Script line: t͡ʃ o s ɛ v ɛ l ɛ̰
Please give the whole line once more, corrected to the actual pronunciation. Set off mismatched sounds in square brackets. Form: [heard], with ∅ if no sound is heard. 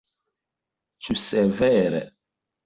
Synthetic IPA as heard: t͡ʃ [u] s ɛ v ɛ [ɾ] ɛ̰